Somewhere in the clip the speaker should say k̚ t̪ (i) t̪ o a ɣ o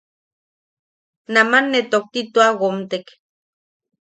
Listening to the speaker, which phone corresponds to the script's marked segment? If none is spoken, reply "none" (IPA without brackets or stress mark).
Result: i